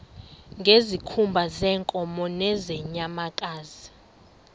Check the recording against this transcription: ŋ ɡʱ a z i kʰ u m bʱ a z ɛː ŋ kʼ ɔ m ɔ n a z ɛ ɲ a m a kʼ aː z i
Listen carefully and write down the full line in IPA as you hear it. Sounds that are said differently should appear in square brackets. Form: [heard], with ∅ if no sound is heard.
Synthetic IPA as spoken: ŋ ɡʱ [e] z i kʰ u m bʱ a z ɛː ŋ kʼ ɔ m ɔ n [ɛ] z ɛ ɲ a m a kʼ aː z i